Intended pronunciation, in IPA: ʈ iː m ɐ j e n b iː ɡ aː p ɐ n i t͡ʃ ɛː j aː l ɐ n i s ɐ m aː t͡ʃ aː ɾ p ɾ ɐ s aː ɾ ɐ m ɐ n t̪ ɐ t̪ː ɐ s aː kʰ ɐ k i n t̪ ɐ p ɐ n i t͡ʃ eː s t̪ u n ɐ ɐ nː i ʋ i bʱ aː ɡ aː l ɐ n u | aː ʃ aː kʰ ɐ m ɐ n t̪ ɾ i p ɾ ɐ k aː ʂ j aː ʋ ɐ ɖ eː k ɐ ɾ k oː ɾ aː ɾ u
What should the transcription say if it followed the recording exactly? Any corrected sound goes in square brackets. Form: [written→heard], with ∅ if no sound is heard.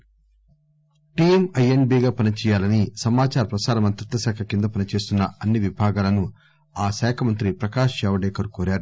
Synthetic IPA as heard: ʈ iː m ɐ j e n b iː ɡ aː p ɐ n i t͡ʃ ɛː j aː l ɐ n i s ɐ m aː t͡ʃ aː ɾ p ɾ ɐ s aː ɾ ɐ m ɐ n t̪ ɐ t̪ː ɐ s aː kʰ ɐ k i n [t̪→d̪] ɐ p ɐ n i t͡ʃ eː s t̪ u [n→nː] ɐ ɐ nː i ʋ i bʱ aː ɡ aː l ɐ n u | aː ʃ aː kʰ ɐ m ɐ n t̪ ɾ i p ɾ ɐ k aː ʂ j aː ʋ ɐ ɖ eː k ɐ ɾ k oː ɾ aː ɾ u